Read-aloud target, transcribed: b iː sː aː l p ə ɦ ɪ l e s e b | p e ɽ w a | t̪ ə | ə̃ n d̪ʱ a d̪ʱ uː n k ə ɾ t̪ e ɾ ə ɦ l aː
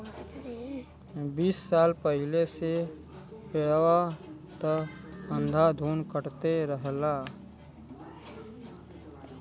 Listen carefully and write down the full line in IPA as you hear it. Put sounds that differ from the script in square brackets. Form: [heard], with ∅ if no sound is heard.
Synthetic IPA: b iː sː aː l p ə ɦ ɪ l e s e [∅] | p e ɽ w a | t̪ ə | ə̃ n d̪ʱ a d̪ʱ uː n k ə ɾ t̪ e ɾ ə ɦ l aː